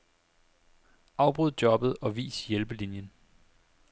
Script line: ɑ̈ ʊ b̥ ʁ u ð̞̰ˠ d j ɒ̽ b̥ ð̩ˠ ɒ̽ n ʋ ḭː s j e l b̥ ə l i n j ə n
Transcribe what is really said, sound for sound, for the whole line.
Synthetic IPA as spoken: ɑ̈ ʊ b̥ ʁ u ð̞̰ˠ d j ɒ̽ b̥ ð̩ˠ ɒ̽ ʋ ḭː s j e l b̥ ə l i n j ə n